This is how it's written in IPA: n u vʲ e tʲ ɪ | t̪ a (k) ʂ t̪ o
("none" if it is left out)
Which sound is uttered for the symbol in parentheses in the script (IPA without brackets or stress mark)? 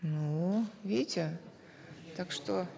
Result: k